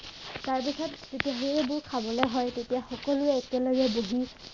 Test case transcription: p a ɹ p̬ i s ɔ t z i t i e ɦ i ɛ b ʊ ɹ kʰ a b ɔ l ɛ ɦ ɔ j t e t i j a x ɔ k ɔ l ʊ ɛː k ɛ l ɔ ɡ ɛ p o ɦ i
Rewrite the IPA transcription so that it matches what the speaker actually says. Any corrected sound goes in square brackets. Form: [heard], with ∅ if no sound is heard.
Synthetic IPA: [t] a ɹ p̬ i s ɔ t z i t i [a] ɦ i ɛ b ʊ ɹ kʰ a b ɔ l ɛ ɦ ɔ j t e t i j a x ɔ k ɔ l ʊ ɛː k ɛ l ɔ ɡ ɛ [b] o ɦ i